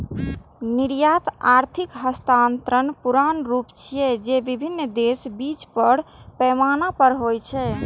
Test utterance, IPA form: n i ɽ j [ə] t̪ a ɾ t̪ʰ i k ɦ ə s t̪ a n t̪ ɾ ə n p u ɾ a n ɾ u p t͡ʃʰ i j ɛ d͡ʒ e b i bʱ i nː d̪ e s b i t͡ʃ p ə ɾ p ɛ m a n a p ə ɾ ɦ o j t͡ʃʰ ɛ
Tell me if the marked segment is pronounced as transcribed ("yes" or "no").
no